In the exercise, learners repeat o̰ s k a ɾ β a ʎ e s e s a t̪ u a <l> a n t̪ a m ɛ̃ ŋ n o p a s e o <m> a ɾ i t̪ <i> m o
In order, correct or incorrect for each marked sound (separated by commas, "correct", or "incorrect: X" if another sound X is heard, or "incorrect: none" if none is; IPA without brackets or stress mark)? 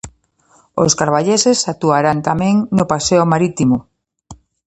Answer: incorrect: ɾ, correct, correct